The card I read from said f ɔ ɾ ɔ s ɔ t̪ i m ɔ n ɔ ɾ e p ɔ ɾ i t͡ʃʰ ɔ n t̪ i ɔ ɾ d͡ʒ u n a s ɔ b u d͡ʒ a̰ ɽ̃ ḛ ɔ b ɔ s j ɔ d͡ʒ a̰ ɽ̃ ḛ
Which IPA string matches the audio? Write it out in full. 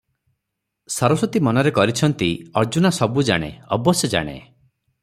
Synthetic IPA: s ɔ ɾ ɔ s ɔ t̪ i m ɔ n ɔ ɾ e k ɔ ɾ i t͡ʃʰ ɔ n t̪ i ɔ ɾ d͡ʒ u n a s ɔ b u d͡ʒ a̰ ɽ̃ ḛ ɔ b ɔ s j ɔ d͡ʒ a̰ ɽ̃ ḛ